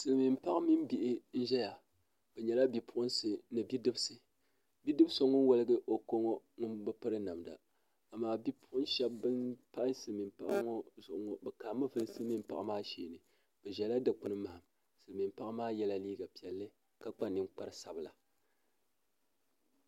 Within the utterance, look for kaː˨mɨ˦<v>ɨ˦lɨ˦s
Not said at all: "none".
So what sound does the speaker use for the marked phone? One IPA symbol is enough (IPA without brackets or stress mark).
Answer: v